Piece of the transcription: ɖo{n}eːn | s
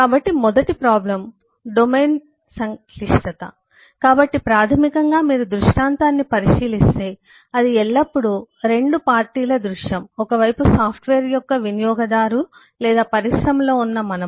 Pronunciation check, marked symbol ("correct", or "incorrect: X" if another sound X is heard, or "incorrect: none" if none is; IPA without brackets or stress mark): incorrect: m